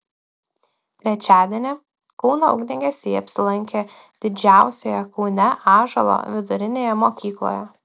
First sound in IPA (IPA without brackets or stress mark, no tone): t̪ʲ